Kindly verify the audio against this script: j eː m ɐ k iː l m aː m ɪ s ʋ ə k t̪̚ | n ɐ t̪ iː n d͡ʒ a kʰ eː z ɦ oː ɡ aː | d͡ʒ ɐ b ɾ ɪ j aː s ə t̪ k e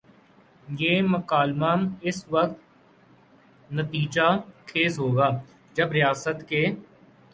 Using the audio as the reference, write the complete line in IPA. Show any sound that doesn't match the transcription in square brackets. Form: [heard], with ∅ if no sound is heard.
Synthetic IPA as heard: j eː m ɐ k [aː] l m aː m ɪ s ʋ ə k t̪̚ | n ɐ t̪ iː [∅] d͡ʒ a kʰ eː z ɦ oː ɡ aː | d͡ʒ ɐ b ɾ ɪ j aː s ə t̪ k e

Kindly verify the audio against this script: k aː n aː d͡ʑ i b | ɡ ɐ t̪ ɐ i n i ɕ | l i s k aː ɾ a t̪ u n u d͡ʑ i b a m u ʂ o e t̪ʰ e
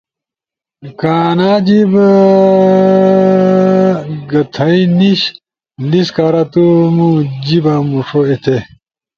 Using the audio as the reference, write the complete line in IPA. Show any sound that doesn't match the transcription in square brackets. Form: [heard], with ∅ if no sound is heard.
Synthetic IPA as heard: k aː n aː d͡ʑ i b | ɡ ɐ [t̪ʰ] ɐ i n i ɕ | l i s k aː ɾ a t̪ u [m] u d͡ʑ i b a m u ʂ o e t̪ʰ e

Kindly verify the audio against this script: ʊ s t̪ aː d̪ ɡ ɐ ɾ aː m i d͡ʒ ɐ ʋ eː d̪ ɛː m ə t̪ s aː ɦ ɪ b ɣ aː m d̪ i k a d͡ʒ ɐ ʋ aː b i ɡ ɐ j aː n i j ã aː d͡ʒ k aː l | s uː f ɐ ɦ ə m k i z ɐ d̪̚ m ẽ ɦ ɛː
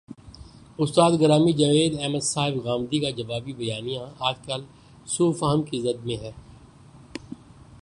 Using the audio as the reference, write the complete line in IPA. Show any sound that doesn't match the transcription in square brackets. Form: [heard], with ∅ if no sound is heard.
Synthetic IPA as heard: ʊ s t̪ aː d̪ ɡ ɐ ɾ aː m i d͡ʒ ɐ ʋ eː d̪ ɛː m ə [d̪] s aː ɦ ɪ b ɣ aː m d̪ i k a d͡ʒ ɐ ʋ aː b i [b] ɐ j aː n i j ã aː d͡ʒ k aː l | s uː f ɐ ɦ ə m k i z ɐ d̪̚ m ẽ ɦ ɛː

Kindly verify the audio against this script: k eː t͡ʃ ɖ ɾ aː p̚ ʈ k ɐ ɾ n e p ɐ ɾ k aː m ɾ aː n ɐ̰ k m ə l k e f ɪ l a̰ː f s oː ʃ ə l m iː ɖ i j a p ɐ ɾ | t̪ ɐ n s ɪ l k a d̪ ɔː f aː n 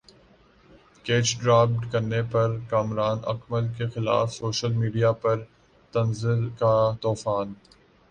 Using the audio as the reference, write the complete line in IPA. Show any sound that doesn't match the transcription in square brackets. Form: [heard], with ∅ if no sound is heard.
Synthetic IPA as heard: k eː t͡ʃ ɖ ɾ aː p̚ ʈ k ɐ ɾ n e p ɐ ɾ k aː m ɾ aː n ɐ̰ k m ə l k e [x] ɪ l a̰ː f s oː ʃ ə l m iː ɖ i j a p ɐ ɾ | t̪ ɐ n [z] ɪ l k a [t̪] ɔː f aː n

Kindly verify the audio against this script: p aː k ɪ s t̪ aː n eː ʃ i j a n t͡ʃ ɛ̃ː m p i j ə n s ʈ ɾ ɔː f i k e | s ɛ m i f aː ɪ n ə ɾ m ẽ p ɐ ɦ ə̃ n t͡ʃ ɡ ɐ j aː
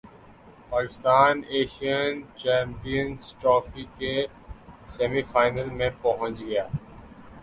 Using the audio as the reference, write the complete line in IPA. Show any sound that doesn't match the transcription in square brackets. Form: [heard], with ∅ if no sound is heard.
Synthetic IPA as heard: p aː k ɪ s t̪ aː n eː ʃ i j [ə] n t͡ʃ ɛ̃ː m p i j ə n s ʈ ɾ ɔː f i k e | s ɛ m i f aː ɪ n ə [l] m ẽ p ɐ ɦ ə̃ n t͡ʃ ɡ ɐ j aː

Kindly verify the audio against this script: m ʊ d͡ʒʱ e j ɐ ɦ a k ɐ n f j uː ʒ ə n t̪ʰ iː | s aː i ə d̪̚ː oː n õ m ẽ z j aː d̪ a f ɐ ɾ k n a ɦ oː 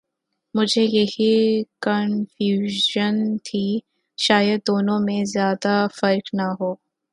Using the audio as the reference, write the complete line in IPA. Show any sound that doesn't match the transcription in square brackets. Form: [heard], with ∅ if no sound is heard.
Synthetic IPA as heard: m ʊ d͡ʒʱ e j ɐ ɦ [i] k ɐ n f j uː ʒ ə n t̪ʰ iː | [ʃ] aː [j] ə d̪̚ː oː n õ m ẽ z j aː d̪ a f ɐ ɾ k n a ɦ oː

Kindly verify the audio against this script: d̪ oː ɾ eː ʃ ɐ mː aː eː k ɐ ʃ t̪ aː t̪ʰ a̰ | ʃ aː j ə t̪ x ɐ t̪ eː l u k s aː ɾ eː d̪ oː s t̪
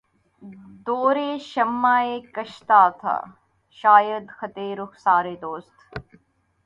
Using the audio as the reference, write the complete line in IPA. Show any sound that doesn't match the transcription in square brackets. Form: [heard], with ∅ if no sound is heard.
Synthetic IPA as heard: d̪ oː ɾ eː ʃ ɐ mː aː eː k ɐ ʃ t̪ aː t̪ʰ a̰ | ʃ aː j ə [d̪] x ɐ t̪ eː [ɾ] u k s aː ɾ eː d̪ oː s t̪

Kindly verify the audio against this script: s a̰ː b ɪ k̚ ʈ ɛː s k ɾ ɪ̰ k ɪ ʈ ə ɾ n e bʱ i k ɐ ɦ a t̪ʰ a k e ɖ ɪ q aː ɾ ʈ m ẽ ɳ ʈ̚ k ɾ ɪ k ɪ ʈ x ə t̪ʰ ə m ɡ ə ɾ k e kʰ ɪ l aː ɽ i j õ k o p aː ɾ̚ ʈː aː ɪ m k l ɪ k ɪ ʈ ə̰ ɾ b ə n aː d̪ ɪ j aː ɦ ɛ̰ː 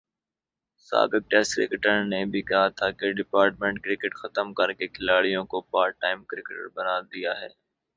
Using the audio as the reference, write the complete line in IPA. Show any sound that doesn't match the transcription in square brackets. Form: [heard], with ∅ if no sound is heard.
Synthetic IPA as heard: s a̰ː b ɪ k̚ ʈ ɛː s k ɾ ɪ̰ k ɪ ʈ ə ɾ n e bʱ i k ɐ ɦ a t̪ʰ a k e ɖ ɪ [p] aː ɾ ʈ m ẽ ɳ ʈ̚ k ɾ ɪ k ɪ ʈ x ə [t̪] ə m [k] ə ɾ k e kʰ ɪ l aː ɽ i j õ k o p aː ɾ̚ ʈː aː ɪ m k [ɾ] ɪ k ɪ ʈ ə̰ ɾ b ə n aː d̪ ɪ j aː ɦ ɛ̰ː

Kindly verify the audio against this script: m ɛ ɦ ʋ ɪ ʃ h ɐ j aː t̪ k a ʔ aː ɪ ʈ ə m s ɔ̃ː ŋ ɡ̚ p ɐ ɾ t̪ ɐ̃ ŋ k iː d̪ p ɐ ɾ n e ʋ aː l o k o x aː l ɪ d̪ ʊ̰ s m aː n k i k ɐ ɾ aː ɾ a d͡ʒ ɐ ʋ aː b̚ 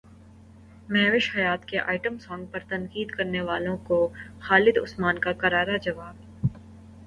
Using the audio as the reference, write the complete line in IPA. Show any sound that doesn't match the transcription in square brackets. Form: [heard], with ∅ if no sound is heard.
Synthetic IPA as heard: m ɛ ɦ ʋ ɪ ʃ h ɐ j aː t̪ k [e] ʔ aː ɪ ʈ ə m s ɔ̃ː ŋ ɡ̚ p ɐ ɾ t̪ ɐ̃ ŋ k iː d̪ [k] ɐ ɾ n e ʋ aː l [õ] k o x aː l ɪ d̪ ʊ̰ s m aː n k [a] k ɐ ɾ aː ɾ a d͡ʒ ɐ ʋ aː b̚

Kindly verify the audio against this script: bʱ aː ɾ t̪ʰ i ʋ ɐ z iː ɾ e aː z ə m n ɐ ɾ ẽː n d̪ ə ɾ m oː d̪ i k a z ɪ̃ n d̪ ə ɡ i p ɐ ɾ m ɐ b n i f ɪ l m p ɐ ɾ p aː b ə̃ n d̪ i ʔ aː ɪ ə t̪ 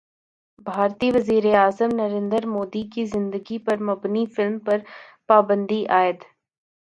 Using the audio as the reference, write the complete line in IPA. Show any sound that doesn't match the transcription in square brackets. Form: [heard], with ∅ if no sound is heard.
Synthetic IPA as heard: bʱ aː ɾ [t̪] i ʋ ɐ z iː ɾ e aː z ə m n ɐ ɾ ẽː n d̪ ə ɾ m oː d̪ i k [i] z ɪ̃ n d̪ ə ɡ i p ɐ ɾ m ɐ b n i f ɪ l m p ɐ ɾ p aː b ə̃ n d̪ i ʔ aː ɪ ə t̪

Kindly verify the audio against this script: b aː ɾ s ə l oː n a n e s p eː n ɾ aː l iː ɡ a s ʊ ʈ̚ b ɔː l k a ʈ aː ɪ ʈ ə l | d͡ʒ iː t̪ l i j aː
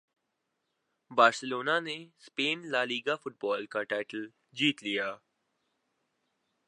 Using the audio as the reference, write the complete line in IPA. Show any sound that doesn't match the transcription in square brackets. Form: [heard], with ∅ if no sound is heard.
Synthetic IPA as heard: b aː ɾ s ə l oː n a n e s p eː n [l] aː l iː ɡ a [f] ʊ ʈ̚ b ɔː l k a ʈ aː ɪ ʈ ə l | d͡ʒ iː t̪ l i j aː

